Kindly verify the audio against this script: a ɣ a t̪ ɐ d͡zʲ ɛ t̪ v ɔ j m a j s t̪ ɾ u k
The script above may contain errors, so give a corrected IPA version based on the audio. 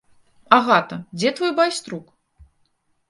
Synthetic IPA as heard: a ɣ a t̪ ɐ d͡zʲ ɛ t̪ v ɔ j b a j s t̪ ɾ u k